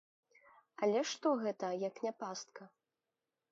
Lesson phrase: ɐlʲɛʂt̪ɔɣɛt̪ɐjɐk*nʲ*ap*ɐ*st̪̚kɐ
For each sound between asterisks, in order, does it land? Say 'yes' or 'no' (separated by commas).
yes, no